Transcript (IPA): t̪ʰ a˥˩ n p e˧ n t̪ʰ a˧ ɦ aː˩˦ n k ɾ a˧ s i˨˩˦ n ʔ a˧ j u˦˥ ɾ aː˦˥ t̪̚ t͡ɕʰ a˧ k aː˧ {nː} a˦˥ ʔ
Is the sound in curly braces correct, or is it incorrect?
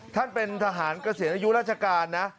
correct